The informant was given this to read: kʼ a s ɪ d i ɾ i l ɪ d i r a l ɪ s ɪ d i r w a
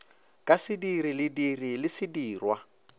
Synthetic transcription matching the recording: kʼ a s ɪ d i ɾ i l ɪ d i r i l ɪ s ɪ d iː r w a